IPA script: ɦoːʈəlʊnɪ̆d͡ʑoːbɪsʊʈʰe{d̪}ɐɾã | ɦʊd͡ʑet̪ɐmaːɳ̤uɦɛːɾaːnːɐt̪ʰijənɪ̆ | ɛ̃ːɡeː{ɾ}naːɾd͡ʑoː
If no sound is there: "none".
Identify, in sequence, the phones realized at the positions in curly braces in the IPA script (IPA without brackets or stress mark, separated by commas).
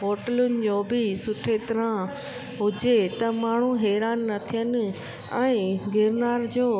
t̪, ɾ